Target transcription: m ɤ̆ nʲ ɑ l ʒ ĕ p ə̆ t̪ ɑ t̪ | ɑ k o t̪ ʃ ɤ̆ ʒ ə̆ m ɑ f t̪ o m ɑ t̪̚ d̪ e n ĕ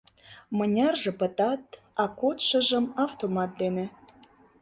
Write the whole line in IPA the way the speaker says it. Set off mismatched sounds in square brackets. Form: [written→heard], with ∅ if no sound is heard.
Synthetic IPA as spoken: m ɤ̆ nʲ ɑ [l→r] ʒ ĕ p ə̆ t̪ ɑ t̪ | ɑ k o t̪ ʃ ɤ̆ ʒ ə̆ m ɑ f t̪ o m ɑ t̪̚ d̪ e n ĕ